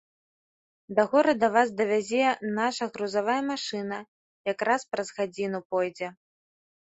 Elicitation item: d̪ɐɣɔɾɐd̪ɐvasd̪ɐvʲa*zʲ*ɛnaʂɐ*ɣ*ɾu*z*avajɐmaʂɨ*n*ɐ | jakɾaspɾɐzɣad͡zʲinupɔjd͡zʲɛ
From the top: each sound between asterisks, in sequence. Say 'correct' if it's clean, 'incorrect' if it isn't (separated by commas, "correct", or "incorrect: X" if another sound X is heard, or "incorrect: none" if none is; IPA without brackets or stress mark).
correct, correct, correct, correct